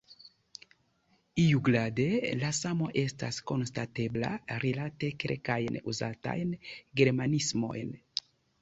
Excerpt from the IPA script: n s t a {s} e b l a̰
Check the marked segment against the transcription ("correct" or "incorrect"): incorrect